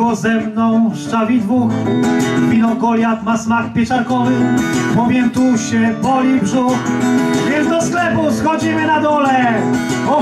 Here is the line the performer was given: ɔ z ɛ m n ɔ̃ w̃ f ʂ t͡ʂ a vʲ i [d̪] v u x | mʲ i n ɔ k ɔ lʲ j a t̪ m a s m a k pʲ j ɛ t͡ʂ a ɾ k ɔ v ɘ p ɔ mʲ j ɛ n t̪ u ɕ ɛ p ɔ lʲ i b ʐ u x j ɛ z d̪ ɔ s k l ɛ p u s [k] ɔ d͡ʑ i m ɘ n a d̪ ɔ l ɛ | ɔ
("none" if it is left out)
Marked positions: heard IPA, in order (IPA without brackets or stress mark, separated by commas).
d̪, x